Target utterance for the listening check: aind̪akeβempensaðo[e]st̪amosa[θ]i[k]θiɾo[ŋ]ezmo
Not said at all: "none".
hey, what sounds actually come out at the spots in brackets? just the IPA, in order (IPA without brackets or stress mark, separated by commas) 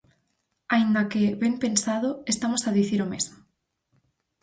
e, ð, none, m